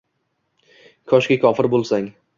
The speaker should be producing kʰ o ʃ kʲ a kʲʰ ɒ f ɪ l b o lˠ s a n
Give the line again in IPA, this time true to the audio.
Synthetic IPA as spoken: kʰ ɒ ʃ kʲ a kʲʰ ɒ f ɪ ɾ b o lˠ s a ŋ